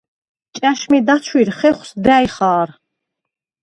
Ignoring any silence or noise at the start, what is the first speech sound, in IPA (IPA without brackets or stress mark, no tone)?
t͡ʃʼ